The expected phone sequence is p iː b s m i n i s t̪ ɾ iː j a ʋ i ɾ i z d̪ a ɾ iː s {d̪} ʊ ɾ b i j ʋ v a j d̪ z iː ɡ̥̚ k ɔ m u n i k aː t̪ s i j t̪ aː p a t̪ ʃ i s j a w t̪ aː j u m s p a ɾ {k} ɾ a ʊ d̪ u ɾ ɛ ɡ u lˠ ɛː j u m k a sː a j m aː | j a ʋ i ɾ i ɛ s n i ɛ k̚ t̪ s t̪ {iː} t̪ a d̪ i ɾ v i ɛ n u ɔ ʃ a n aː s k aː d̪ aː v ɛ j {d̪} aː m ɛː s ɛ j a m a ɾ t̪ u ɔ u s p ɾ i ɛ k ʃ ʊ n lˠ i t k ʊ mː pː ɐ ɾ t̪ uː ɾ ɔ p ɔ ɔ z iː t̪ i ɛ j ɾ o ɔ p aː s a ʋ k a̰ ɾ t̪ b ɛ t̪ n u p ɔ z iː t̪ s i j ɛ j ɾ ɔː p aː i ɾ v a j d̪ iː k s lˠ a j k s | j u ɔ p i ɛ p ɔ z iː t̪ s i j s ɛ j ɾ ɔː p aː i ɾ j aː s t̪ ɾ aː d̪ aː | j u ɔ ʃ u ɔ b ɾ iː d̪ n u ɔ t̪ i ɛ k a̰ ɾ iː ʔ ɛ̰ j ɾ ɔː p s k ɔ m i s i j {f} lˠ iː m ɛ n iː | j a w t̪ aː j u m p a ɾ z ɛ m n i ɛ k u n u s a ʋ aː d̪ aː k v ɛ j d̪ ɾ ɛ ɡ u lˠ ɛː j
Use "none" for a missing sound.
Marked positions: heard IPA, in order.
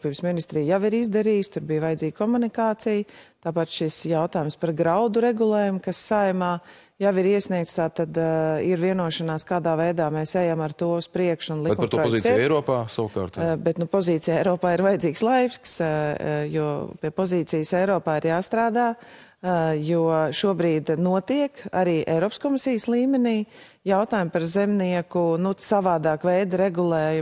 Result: t̪, ɡ, aː, d̪, s

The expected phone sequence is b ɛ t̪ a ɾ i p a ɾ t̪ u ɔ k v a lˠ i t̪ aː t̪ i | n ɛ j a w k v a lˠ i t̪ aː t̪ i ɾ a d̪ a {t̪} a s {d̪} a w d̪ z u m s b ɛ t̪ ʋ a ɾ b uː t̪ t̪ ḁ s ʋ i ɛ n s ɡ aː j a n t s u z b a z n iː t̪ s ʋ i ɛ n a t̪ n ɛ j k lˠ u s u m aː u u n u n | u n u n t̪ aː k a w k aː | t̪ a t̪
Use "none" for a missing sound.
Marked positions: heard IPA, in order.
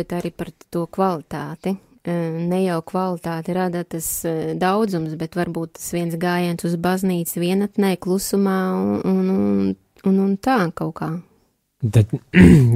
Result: t̪, d̪

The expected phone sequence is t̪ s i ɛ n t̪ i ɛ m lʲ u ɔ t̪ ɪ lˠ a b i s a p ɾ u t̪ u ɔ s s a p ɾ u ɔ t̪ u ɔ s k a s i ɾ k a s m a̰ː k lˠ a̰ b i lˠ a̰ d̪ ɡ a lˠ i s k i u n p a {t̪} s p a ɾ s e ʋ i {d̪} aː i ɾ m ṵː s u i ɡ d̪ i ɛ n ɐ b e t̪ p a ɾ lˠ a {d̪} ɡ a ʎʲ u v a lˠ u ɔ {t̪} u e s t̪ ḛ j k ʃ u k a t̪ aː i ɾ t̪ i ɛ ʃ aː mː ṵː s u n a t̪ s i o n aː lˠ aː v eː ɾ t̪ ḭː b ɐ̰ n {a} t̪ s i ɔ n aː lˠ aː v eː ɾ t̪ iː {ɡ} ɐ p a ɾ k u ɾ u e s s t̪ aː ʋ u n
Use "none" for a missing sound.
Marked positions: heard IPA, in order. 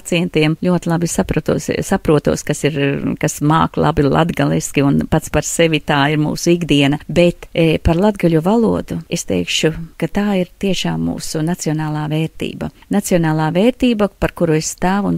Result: t̪, t̪, d̪, d̪, a, b

